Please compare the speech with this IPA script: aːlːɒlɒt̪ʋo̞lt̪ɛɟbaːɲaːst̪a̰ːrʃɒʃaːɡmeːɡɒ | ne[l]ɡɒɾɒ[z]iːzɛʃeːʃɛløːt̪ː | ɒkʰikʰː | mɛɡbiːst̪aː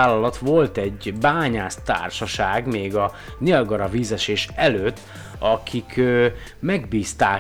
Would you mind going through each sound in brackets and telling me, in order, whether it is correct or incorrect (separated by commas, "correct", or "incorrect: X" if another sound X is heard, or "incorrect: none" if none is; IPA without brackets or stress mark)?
correct, incorrect: v